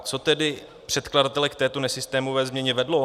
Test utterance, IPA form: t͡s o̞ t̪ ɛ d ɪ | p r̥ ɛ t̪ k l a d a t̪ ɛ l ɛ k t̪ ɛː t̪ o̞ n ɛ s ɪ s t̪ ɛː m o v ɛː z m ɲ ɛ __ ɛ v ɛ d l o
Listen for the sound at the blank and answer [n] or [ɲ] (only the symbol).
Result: ɲ